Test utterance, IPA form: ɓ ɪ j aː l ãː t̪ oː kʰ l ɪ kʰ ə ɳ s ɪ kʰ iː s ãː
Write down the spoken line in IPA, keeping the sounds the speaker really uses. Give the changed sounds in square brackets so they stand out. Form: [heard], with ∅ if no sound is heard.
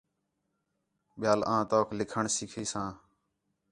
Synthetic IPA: ɓ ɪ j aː l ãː t̪ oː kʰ l ɪ kʰ ə ɳ s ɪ kʰ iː s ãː